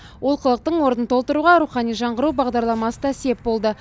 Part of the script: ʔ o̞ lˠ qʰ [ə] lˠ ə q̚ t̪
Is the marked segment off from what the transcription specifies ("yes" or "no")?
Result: no